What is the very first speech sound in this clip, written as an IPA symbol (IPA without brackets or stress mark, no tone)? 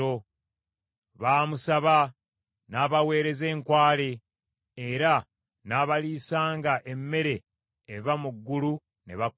o